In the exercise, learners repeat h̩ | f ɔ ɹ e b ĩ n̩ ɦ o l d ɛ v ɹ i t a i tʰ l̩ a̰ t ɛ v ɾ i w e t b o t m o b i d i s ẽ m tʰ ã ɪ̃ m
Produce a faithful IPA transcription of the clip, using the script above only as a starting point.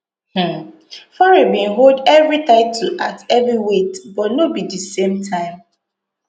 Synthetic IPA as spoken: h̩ | f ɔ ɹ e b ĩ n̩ ɦ o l d ɛ v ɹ i t a ɪ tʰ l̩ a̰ t ɛ v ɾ i w e t b ɔ t n o b i d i s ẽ m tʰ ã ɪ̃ m